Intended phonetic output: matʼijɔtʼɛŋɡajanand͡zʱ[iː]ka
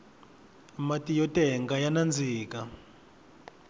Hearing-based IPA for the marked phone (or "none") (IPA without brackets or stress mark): iː